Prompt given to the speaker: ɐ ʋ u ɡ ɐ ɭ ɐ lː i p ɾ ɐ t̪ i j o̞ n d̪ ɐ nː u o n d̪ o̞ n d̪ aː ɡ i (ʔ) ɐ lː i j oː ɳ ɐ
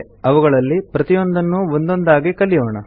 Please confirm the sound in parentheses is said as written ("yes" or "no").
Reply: no